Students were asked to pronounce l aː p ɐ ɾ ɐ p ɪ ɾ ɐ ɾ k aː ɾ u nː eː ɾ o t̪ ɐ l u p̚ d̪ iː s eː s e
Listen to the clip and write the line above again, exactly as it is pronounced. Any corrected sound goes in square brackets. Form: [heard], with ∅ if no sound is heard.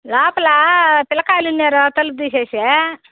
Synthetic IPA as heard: l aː p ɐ [l] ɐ p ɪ [l] ɐ [∅] k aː [l] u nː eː ɾ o t̪ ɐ l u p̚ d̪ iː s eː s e